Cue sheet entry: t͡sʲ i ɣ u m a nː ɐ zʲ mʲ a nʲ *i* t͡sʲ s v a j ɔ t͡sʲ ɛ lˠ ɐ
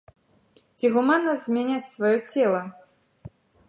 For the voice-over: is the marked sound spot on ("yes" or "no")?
no